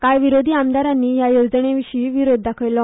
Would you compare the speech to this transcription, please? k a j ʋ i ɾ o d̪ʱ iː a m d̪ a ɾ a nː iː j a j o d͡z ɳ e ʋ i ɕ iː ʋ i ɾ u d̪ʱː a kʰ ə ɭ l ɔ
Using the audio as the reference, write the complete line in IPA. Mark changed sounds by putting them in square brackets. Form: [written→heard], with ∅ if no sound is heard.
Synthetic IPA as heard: k a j ʋ i ɾ o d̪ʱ iː a m d̪ a ɾ a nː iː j a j o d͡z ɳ e ʋ i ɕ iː ʋ i ɾ [u→o] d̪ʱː a kʰ ə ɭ l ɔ